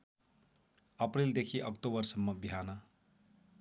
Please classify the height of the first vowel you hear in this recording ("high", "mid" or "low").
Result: mid